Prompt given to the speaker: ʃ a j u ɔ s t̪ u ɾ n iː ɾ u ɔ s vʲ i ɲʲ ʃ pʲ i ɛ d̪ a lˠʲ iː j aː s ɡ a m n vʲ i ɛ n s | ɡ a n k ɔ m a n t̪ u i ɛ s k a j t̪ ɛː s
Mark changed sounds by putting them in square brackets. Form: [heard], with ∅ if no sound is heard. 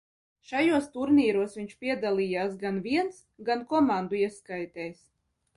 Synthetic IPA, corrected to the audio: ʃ a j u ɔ s t̪ u ɾ n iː ɾ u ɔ s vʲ i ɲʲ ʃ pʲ i ɛ d̪ a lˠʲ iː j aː s ɡ a [∅] n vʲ i ɛ n s | ɡ a n k ɔ m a n [d̪] u i ɛ s k a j t̪ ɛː s